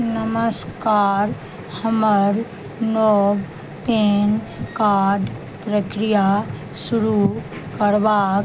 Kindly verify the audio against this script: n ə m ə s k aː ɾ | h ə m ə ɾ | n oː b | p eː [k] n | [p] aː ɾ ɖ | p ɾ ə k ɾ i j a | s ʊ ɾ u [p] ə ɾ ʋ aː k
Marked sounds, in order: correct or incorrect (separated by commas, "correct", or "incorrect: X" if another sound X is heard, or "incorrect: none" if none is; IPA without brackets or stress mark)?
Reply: incorrect: none, incorrect: k, incorrect: k